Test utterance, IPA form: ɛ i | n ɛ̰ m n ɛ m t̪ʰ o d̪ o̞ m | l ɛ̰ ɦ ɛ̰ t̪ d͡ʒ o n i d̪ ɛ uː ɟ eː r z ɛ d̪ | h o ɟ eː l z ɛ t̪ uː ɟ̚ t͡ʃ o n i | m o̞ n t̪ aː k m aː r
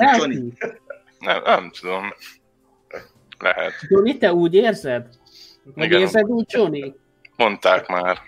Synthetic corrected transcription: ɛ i | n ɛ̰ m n ɛ m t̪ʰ u d̪ o̞ m | l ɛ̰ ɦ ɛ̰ t̪ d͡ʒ o n i t̪ ɛ uː ɟ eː r z ɛ d̪ | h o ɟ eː r z ɛ d̪ uː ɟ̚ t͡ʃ o n i | m o̞ n t̪ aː k m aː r